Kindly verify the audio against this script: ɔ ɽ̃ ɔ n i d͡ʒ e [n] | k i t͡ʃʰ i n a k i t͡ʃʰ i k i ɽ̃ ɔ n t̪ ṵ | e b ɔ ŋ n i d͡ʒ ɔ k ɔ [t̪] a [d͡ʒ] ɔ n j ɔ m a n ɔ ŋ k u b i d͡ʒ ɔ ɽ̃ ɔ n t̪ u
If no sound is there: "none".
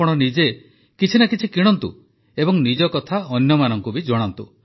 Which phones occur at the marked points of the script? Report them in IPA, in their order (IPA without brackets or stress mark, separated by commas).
none, t̪ʰ, none